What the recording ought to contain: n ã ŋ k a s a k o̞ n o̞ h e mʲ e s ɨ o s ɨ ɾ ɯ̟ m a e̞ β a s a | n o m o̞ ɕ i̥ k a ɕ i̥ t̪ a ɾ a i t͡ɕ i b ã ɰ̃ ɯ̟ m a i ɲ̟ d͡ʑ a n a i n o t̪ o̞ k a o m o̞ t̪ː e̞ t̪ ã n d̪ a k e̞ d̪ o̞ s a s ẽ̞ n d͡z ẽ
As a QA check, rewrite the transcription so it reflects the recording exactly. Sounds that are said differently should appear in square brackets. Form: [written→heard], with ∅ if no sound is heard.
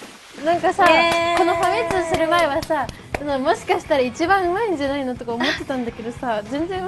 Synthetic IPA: n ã ŋ k a s a k o̞ n o̞ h [e→a] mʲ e [s→t͡s] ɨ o s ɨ ɾ ɯ̟ m a e̞ β a s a | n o m o̞ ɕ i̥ k a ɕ i̥ t̪ a ɾ a i t͡ɕ i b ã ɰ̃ ɯ̟ m a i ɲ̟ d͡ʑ a n a i n o t̪ o̞ k a o m o̞ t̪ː e̞ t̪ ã n d̪ a k e̞ d̪ o̞ s a [s→z] ẽ̞ n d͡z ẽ